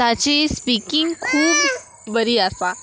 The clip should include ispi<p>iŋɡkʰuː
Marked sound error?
yes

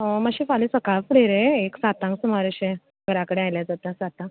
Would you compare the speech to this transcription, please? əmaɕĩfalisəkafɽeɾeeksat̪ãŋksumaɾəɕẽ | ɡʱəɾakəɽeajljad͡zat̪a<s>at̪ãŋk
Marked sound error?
no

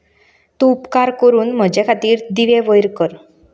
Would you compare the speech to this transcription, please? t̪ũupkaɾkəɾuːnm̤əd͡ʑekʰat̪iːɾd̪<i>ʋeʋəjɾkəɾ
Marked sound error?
no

